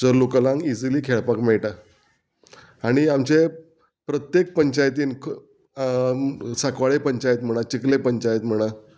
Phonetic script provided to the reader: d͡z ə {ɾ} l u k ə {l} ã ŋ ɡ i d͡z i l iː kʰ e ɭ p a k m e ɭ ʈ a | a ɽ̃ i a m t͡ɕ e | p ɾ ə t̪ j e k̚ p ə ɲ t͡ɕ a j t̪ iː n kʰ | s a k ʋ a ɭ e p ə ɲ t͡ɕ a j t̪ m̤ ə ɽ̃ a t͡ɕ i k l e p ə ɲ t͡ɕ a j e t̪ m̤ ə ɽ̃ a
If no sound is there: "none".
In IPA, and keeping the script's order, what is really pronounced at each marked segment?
ɾ, l

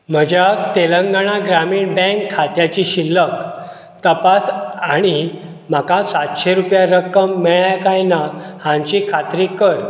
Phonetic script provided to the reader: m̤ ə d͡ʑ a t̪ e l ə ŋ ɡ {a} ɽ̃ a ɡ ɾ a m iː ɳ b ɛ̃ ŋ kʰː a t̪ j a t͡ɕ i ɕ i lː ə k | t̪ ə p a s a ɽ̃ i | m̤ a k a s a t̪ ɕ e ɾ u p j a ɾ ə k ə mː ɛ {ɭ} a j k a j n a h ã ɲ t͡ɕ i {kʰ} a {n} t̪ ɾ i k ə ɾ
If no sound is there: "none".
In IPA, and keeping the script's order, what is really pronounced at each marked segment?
a, ɭ, kʰ, none

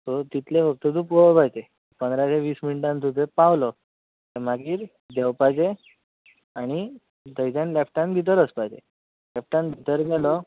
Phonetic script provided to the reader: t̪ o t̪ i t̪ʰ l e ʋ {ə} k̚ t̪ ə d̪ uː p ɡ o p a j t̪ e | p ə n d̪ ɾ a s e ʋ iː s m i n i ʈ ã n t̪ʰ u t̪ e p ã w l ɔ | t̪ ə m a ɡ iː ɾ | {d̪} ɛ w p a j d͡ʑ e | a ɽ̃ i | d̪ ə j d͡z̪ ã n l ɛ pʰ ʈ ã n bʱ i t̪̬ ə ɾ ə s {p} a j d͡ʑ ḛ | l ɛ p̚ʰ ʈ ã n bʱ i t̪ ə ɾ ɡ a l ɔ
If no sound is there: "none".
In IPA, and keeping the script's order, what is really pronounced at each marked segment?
ə, d̪, p

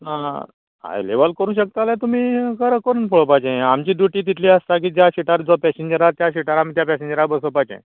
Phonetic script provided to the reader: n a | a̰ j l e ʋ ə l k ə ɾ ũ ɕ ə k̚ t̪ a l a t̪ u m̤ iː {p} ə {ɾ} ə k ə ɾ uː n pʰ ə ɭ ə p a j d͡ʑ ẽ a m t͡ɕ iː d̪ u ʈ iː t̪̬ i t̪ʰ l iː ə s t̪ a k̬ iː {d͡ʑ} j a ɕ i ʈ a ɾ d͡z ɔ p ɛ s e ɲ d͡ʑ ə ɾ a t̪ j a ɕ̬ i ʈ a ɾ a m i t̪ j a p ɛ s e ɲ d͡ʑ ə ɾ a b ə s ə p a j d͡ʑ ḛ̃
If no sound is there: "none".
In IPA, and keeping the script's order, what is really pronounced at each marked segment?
k, ɾ, d͡ʑ

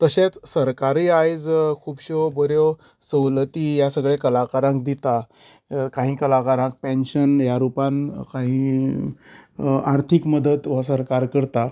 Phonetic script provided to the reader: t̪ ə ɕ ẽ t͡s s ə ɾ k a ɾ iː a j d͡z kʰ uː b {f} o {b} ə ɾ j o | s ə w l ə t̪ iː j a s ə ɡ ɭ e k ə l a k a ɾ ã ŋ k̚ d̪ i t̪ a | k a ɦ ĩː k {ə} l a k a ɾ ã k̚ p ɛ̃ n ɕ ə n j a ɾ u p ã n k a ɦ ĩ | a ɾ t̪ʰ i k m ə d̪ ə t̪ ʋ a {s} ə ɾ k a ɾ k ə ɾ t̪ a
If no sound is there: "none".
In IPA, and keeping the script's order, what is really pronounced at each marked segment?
ɕ, b, ə, s

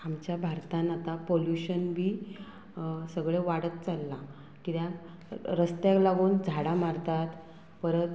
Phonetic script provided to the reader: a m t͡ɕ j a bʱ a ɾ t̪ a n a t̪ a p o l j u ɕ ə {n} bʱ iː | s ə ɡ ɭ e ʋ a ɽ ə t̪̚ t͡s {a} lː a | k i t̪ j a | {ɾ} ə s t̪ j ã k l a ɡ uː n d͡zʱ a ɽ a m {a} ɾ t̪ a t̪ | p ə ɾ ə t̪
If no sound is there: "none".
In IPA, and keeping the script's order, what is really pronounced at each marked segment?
n, a, ɾ, a

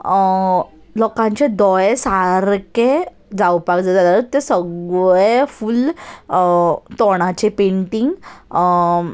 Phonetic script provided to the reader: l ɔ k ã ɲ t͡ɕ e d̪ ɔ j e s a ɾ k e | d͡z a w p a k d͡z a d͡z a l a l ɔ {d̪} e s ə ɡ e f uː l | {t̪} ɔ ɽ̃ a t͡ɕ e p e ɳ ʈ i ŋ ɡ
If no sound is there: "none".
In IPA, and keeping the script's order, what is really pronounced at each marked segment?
t̪, t̪

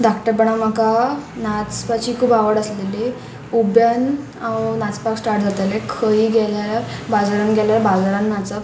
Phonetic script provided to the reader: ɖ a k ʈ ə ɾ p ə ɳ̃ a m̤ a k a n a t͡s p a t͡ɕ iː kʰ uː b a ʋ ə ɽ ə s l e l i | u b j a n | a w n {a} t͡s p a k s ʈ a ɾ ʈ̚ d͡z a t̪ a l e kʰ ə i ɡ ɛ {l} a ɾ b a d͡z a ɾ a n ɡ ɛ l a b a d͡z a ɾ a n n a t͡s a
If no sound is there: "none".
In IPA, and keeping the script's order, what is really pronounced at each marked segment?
a, l

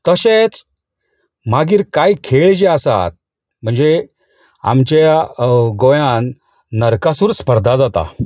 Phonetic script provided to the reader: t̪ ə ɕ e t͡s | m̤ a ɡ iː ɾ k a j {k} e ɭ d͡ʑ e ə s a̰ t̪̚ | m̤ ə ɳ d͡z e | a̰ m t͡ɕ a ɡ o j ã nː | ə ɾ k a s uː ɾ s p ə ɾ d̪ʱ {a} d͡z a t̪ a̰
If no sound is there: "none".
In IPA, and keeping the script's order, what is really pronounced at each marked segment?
kʰ, a

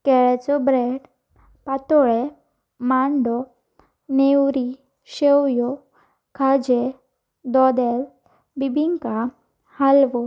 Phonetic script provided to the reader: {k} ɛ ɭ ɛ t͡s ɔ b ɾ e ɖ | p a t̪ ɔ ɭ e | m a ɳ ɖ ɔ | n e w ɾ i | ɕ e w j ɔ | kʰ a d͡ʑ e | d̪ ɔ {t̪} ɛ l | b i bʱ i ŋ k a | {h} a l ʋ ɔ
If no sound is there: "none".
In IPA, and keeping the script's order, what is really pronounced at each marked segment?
k, d̪, h

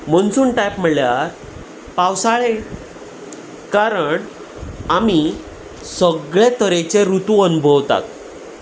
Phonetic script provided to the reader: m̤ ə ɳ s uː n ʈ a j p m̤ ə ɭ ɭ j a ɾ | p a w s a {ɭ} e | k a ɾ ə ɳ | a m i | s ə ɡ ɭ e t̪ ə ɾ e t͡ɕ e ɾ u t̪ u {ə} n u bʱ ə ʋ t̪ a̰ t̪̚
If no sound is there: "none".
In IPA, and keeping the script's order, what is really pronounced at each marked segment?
ɭ, ə

